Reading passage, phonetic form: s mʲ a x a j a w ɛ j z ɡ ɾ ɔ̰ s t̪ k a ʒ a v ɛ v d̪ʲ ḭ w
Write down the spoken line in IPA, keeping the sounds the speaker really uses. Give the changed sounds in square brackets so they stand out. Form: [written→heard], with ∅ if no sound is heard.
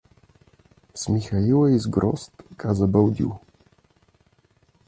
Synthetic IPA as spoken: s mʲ [a→i] x a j [a→i] w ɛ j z ɡ ɾ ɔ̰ s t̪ k a [ʒ→z] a [v→b] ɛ [v→w] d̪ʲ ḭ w